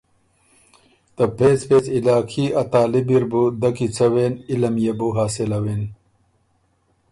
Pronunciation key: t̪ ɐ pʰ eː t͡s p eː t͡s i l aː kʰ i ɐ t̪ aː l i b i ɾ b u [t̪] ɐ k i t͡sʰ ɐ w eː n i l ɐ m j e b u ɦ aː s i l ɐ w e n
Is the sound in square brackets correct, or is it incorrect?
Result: incorrect